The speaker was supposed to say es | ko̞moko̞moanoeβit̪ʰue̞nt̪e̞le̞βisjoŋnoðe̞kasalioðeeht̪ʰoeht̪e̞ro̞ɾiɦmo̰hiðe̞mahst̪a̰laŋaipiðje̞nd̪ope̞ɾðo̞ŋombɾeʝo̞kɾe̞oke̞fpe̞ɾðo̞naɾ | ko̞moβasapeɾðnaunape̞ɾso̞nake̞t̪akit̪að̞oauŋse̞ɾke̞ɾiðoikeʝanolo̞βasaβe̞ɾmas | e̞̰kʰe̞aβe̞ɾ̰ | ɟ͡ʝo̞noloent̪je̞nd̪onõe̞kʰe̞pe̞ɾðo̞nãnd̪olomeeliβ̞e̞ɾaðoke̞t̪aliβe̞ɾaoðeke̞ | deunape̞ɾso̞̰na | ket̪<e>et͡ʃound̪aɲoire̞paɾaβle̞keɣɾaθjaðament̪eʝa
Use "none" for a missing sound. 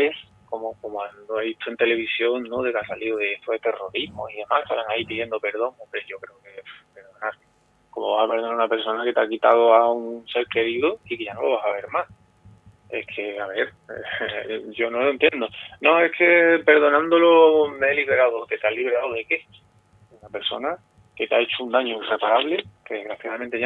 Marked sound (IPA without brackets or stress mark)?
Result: a